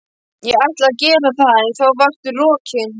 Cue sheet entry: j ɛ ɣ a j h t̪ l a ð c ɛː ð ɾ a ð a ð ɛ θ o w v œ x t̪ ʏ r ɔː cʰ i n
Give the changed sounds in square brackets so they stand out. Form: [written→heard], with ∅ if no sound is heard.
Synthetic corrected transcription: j ɛ ɣ a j h t̪ l a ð c ɛː [ð→∅] ɾ a [ð→θ] a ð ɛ θ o w v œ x t̪ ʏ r ɔː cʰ [i→ɪ] n